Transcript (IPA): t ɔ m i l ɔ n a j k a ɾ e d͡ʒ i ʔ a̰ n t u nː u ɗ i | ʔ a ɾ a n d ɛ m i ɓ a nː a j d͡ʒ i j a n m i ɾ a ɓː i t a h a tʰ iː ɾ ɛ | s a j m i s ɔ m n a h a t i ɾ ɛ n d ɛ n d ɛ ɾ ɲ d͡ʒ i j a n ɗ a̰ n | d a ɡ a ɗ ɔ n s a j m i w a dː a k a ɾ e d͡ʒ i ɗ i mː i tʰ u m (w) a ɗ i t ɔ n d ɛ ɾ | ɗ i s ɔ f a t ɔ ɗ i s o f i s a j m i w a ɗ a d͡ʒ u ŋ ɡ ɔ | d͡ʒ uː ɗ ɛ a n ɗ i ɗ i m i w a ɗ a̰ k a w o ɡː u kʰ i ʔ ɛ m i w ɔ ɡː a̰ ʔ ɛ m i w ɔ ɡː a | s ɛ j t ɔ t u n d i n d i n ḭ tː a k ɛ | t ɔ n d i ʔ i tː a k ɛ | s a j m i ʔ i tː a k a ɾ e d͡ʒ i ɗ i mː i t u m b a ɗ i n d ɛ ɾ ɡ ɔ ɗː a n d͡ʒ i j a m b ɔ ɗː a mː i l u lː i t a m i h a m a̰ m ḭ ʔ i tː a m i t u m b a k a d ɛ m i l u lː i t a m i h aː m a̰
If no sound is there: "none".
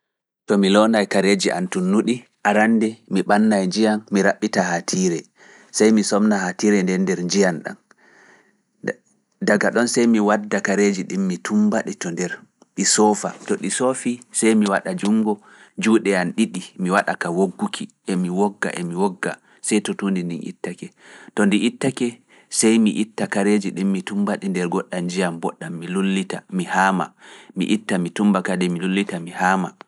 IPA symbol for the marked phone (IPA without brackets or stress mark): b